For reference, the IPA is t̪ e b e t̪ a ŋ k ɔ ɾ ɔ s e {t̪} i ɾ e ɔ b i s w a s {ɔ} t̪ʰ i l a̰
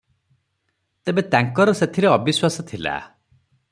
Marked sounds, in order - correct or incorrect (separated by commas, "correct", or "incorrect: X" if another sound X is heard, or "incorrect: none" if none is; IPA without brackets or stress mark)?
incorrect: t̪ʰ, correct